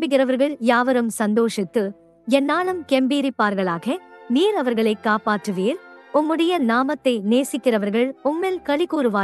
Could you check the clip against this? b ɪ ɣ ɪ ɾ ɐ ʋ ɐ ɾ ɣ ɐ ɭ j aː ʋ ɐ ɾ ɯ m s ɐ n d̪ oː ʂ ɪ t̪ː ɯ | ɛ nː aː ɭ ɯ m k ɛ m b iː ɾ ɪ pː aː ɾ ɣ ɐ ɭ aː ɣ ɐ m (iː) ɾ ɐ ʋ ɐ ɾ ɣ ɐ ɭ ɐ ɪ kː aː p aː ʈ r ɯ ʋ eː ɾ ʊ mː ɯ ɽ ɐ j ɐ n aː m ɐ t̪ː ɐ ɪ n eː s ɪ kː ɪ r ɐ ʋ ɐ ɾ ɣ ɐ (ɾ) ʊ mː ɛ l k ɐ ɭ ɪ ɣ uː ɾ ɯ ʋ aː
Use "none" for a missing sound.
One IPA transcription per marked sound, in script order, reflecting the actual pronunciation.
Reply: iː, ɭ

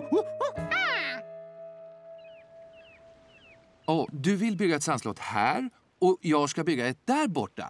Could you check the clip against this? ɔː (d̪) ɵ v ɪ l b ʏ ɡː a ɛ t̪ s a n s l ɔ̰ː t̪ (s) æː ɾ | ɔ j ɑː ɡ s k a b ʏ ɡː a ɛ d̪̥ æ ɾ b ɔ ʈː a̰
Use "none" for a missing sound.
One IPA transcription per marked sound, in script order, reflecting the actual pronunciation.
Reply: d̪, h

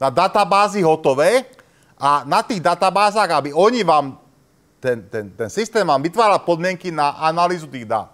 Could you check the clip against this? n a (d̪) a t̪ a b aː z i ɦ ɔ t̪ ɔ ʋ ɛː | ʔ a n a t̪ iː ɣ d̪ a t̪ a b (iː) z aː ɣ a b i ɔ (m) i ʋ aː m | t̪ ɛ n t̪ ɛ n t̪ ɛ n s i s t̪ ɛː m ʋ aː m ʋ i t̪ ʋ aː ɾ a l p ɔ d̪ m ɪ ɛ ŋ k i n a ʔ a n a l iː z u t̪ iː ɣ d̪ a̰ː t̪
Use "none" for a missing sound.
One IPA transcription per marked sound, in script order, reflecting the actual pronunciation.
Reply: d̪, aː, ɲ

